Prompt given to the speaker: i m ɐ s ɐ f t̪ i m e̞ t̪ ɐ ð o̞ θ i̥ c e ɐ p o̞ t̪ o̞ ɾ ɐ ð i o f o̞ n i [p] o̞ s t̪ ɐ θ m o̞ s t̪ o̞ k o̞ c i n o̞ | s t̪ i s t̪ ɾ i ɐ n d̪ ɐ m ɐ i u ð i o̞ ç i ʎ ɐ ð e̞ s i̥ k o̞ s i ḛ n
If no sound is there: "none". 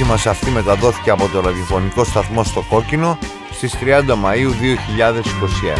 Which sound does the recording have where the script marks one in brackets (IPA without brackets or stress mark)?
k